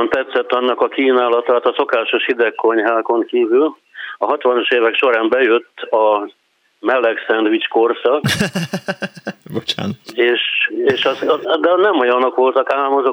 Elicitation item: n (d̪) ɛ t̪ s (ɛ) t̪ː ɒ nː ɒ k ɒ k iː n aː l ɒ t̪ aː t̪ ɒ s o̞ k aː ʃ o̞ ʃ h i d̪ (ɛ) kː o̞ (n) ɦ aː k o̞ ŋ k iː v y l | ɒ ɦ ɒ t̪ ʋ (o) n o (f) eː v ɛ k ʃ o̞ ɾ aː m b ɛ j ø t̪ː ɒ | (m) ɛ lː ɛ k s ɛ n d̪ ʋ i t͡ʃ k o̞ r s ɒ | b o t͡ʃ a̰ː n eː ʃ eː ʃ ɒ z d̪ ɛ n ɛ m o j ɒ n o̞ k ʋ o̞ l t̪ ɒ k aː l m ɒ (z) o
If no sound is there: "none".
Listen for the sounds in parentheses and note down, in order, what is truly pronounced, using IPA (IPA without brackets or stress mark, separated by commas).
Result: t̪, ɛ, ɛ, ɲ, ɒ, ʃ, m, z